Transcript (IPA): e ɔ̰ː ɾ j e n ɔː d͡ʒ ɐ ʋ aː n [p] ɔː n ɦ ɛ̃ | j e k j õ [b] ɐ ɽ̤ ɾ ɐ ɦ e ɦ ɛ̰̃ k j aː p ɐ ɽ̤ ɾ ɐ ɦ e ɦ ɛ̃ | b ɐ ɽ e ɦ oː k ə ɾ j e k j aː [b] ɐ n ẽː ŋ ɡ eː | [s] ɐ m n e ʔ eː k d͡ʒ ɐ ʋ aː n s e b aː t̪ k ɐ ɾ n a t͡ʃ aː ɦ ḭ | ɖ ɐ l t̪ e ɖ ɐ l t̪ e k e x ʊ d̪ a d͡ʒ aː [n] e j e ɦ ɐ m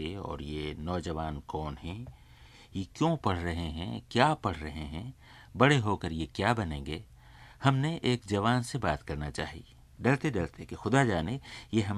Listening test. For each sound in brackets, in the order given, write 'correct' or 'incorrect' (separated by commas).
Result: incorrect, incorrect, correct, incorrect, correct